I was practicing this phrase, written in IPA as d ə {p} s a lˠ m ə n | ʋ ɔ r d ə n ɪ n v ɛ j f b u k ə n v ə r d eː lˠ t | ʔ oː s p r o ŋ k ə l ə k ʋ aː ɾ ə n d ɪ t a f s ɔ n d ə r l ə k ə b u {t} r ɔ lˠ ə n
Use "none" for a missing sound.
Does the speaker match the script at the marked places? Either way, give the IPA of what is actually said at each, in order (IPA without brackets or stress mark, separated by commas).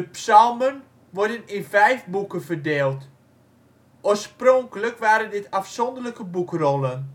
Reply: p, k